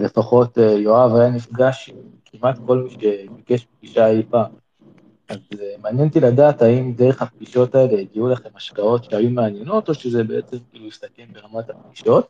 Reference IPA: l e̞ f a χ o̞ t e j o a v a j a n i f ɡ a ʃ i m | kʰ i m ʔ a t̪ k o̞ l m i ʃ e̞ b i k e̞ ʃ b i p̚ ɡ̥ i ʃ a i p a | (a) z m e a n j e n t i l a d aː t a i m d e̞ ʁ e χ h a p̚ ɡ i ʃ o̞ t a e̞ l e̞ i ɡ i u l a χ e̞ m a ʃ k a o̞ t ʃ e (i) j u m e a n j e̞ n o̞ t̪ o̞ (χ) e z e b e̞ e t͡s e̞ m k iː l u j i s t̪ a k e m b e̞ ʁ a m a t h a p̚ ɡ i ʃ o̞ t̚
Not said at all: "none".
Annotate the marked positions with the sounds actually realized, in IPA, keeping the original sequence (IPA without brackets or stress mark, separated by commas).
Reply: a, a, ʃ